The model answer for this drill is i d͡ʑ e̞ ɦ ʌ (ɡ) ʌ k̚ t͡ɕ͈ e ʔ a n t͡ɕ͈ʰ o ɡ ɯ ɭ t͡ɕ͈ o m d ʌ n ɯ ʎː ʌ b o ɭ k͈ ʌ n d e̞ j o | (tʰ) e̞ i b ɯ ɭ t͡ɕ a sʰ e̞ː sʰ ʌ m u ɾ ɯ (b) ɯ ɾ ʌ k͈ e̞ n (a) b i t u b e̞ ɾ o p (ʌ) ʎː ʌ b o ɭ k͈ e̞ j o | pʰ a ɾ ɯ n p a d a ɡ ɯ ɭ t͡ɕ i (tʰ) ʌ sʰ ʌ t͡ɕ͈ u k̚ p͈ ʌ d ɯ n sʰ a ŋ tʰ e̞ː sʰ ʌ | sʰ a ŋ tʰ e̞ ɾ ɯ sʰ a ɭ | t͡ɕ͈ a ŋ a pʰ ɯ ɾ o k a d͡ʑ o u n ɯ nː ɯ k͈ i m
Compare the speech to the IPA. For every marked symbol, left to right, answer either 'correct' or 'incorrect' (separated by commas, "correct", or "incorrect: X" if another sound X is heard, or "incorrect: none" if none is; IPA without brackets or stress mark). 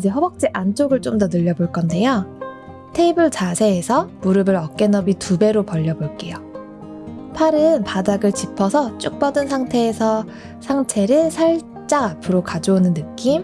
incorrect: b, correct, correct, incorrect: ʌ, correct, incorrect: pʰ